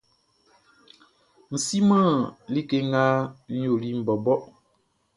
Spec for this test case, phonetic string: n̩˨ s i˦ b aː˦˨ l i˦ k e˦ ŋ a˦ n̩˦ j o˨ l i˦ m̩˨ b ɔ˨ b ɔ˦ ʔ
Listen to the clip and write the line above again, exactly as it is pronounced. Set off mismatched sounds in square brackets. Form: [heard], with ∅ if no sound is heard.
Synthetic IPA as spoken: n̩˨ s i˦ [m] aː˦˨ l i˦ k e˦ ŋ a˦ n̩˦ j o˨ l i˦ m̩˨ b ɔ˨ b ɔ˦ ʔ